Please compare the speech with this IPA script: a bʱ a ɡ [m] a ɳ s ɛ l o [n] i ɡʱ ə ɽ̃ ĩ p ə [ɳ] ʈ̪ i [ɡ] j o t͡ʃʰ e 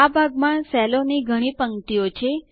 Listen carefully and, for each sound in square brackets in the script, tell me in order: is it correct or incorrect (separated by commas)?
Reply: correct, correct, incorrect, incorrect